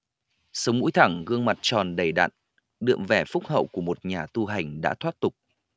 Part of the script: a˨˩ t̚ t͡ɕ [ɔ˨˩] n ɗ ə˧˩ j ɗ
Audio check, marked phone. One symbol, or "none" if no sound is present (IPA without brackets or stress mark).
ɔ˨˩